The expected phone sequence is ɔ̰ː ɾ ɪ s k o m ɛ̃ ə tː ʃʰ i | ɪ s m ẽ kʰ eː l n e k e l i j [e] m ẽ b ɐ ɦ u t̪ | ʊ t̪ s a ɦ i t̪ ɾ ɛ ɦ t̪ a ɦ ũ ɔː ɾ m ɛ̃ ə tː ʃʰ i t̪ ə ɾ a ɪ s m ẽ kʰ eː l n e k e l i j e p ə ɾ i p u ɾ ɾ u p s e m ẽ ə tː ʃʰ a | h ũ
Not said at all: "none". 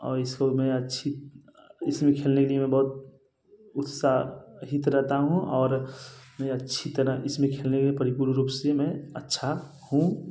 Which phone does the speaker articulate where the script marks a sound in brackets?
e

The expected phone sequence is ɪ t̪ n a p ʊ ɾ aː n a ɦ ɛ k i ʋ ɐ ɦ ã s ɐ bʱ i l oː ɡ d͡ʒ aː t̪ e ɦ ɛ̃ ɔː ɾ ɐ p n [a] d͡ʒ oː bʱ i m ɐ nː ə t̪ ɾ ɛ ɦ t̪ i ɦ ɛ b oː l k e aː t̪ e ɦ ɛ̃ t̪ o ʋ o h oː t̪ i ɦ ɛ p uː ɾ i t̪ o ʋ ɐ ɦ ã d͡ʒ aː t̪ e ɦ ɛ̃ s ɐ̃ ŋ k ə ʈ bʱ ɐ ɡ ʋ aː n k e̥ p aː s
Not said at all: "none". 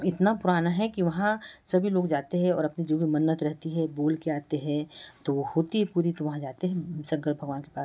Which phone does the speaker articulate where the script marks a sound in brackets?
i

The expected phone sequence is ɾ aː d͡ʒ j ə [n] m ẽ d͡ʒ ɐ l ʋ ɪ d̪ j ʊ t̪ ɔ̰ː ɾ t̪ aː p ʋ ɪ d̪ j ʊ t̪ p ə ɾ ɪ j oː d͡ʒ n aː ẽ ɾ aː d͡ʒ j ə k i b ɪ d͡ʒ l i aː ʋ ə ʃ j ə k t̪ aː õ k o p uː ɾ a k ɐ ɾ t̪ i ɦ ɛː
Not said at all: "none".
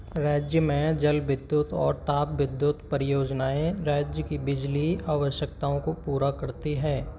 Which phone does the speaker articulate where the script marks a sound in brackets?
none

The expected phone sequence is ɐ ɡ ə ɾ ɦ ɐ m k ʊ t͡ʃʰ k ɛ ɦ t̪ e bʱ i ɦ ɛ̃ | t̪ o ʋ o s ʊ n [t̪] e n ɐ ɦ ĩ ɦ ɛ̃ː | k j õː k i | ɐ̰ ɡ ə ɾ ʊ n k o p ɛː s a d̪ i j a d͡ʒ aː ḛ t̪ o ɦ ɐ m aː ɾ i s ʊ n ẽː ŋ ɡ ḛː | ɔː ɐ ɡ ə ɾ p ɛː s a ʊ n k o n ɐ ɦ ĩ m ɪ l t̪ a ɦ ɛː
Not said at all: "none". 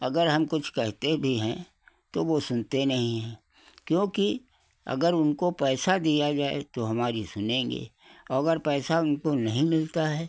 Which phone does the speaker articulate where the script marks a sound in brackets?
t̪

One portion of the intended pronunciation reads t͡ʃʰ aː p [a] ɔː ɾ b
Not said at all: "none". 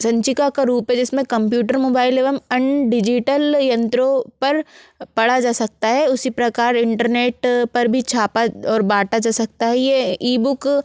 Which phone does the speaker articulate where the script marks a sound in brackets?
a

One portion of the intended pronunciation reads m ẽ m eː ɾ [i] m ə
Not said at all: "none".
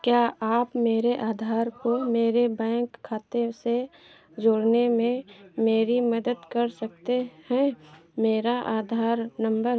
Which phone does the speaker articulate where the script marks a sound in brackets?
i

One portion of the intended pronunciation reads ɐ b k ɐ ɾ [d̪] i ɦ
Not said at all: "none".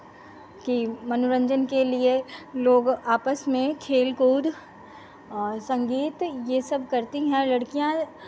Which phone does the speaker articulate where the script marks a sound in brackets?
t̪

